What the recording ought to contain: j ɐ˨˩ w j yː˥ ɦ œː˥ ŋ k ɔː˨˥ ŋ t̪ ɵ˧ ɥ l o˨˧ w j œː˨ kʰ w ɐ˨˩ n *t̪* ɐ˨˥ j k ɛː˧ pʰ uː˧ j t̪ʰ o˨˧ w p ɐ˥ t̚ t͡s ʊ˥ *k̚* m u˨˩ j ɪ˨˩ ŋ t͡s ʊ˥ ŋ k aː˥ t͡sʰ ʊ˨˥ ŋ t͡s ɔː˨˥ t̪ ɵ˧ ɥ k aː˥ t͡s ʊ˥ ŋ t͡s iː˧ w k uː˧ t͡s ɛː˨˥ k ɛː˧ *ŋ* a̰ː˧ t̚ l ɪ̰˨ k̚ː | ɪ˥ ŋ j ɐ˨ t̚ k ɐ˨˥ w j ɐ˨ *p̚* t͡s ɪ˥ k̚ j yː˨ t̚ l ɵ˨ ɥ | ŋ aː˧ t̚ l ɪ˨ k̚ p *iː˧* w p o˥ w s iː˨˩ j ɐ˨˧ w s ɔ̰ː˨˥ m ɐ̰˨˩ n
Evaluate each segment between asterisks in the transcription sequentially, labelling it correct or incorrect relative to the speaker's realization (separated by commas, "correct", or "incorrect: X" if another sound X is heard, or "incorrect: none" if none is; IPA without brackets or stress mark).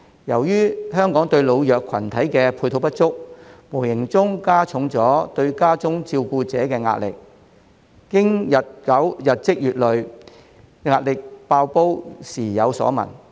incorrect: t̪ʰ, correct, correct, incorrect: t̚, incorrect: aː˧